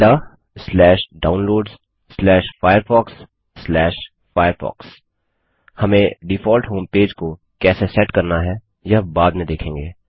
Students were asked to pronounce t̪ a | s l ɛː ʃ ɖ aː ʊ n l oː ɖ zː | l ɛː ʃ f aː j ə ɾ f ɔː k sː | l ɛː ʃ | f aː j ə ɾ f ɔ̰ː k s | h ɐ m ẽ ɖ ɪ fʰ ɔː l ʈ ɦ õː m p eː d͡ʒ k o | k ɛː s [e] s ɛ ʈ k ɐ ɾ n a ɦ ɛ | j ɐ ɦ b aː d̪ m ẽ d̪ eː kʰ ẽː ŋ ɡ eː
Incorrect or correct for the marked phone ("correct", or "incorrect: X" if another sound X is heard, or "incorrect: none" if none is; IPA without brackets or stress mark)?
correct